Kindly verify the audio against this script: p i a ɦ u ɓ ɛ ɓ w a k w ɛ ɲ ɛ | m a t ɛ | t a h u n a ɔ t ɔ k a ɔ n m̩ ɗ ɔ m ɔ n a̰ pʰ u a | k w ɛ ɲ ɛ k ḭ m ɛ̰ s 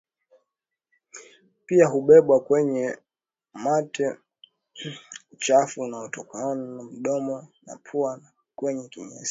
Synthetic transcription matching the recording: p i a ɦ u ɓ ɛ ɓ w a k w ɛ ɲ ɛ | m a t ɛ | t͡ʃ a f u n a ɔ t ɔ k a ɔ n m̩ ɗ ɔ m ɔ n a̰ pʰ u a | k w ɛ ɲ ɛ k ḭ ɲ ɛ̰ s